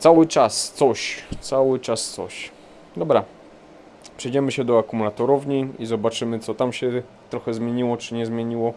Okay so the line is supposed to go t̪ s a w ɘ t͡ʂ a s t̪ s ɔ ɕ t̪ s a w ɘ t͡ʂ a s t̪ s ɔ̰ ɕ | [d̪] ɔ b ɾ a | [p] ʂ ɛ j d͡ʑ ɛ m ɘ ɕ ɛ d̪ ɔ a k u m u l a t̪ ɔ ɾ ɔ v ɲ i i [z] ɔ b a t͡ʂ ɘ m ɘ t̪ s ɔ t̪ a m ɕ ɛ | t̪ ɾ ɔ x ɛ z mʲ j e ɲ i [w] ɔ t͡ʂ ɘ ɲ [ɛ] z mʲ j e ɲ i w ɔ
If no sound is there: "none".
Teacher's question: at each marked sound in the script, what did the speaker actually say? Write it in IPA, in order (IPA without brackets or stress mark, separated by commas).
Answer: d̪, p, z, w, ɛ